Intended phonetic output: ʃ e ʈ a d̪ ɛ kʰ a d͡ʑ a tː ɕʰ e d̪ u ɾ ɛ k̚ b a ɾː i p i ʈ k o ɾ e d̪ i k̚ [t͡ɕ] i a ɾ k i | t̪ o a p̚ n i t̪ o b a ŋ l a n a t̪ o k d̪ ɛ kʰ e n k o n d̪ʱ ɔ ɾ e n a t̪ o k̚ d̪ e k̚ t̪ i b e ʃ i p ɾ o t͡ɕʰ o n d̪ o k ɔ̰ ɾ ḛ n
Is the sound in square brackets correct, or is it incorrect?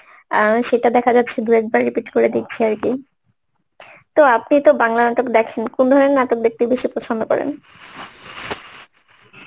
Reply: incorrect